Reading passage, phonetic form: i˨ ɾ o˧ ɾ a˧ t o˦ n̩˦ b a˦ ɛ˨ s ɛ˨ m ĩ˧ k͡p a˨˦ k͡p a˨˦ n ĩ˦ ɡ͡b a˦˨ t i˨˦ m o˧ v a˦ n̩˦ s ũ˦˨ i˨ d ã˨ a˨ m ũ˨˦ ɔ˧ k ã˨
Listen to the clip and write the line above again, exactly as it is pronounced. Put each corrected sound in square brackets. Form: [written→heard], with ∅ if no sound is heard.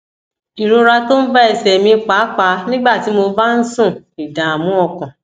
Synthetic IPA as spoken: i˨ ɾ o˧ ɾ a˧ t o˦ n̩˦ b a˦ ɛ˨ s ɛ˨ m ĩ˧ k͡p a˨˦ k͡p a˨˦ n ĩ˦ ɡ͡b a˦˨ t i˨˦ m o˧ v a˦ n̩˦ s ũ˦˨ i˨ d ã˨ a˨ m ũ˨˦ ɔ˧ k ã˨